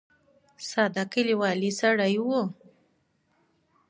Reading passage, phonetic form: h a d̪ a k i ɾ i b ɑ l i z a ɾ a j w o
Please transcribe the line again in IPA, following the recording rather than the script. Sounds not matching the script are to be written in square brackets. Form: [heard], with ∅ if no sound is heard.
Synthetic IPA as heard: [s] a d̪ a k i [l] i [w] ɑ l i [s] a [ɽ] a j w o